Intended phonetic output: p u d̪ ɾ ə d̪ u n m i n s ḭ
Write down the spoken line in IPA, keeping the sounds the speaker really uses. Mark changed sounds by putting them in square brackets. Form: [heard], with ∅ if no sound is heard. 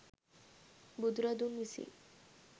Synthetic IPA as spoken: [b] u d̪ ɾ [a] d̪ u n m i [∅] s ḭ